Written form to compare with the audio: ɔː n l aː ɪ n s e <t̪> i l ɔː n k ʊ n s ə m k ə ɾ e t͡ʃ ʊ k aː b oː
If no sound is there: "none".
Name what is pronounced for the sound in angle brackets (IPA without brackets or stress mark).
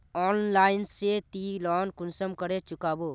t̪